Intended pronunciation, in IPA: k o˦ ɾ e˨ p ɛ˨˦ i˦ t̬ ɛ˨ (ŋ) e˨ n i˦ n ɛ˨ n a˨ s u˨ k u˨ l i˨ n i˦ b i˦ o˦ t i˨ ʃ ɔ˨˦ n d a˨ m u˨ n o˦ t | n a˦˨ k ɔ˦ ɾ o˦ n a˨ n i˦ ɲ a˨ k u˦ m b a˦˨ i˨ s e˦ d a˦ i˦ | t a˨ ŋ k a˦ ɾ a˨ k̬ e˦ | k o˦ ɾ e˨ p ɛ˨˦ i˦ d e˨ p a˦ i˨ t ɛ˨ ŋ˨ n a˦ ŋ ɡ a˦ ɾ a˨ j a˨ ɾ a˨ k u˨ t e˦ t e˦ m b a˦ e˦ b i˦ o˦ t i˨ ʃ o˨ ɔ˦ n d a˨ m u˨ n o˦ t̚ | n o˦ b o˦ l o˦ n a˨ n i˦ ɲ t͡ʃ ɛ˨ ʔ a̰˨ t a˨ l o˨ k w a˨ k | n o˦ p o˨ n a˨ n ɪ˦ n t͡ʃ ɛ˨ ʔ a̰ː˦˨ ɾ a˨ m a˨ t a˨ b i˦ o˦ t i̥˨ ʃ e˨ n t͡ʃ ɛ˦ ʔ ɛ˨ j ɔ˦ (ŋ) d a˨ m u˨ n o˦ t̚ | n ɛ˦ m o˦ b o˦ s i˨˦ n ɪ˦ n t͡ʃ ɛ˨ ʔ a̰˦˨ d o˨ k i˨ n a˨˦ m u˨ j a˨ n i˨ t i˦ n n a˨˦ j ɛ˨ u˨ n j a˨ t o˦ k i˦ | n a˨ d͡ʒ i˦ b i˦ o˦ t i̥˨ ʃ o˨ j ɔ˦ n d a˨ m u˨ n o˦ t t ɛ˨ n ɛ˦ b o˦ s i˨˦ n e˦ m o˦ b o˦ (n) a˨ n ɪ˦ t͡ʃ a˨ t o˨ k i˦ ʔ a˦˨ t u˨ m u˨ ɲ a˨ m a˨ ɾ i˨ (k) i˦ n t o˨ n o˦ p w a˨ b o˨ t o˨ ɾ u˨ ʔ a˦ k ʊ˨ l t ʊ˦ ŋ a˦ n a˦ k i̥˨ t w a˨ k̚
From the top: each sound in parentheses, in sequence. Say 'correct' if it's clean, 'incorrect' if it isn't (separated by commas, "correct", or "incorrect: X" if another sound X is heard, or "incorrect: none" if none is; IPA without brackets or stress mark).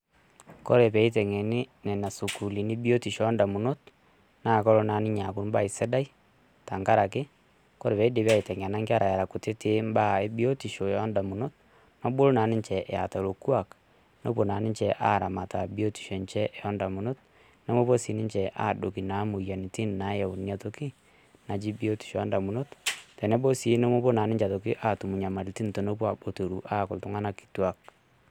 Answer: correct, incorrect: n, correct, incorrect: t